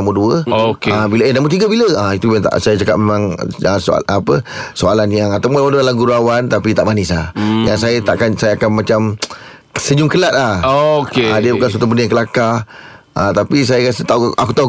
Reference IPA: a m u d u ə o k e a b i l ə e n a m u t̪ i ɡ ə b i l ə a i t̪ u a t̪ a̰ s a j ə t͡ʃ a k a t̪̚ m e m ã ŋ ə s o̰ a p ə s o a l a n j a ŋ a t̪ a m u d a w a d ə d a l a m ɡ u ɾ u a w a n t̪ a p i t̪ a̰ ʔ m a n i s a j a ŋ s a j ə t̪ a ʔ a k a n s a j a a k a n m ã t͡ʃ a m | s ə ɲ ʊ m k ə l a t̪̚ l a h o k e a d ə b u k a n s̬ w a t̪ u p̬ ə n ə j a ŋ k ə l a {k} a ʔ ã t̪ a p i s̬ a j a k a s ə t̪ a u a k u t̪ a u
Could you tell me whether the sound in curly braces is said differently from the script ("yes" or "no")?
no